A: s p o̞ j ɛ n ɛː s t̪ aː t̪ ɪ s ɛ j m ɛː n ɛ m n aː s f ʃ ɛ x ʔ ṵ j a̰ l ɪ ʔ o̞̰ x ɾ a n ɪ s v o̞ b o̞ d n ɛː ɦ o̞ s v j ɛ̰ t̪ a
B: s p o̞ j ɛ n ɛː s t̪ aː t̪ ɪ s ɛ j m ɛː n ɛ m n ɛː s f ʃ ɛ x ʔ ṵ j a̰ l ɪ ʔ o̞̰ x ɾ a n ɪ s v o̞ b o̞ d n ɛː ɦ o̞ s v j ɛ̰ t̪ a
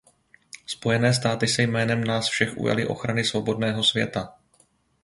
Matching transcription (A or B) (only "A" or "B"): A